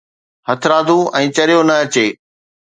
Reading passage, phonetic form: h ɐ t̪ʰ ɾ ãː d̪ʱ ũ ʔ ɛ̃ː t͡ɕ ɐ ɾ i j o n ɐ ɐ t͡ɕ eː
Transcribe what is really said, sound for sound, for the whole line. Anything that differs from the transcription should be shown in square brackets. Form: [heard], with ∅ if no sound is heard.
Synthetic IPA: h ɐ t̪ʰ ɾ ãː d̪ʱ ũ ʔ ɛ̃ː t͡ɕ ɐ ɾ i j o n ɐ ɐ t͡ɕ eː